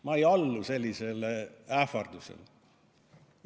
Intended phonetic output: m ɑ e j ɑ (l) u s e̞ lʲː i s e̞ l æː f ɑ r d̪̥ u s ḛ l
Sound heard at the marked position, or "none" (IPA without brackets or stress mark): lː